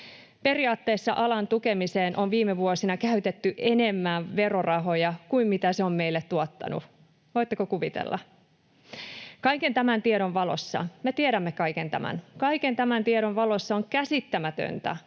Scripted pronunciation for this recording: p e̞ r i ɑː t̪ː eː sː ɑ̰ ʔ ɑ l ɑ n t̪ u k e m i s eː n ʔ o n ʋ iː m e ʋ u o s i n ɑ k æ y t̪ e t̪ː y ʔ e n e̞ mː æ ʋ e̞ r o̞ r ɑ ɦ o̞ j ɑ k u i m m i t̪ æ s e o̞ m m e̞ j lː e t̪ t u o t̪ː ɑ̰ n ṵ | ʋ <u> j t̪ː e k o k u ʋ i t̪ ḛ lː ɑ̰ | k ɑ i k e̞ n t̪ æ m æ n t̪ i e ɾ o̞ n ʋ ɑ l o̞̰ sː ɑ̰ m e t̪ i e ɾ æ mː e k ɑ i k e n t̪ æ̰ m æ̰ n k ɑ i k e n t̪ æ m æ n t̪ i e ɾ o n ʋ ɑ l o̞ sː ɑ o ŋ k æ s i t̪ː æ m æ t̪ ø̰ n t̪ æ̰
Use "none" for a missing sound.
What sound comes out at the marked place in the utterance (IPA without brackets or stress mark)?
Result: o